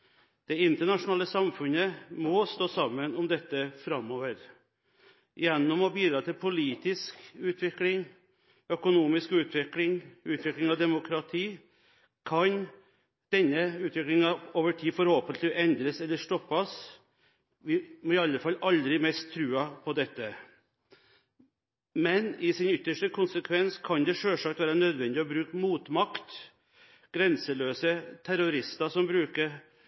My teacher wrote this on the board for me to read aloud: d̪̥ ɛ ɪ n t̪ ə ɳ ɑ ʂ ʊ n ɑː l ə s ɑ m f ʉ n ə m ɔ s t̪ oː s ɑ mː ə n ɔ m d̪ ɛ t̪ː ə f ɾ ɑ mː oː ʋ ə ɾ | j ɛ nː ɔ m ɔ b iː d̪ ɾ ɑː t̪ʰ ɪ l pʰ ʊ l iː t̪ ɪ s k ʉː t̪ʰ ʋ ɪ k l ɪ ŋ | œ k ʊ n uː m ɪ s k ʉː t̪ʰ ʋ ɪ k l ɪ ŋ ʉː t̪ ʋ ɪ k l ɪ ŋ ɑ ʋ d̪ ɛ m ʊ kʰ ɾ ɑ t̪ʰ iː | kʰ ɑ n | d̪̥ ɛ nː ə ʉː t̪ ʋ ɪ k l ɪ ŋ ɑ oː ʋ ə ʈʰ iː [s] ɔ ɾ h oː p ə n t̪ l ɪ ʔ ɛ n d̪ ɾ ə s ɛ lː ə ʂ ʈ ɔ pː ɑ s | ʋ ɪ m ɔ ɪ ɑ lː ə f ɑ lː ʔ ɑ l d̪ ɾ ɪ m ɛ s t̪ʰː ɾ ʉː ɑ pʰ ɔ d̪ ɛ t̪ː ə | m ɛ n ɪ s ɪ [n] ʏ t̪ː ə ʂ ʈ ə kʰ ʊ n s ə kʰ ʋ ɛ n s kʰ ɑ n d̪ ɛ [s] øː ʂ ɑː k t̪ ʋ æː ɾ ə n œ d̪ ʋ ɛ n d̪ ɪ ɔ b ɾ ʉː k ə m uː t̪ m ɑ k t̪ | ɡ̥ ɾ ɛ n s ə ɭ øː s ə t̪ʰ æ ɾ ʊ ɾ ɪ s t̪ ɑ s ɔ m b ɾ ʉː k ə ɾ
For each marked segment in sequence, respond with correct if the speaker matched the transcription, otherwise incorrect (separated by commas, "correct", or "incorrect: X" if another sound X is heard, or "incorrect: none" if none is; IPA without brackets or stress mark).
incorrect: f, correct, incorrect: ʂ